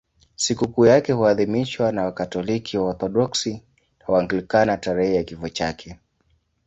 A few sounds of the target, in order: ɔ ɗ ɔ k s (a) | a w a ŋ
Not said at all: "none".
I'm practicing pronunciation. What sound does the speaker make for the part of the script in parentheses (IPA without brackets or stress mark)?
i